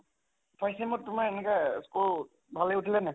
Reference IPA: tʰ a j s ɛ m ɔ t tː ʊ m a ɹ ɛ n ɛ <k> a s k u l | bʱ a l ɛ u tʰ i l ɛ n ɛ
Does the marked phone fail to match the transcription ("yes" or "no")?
no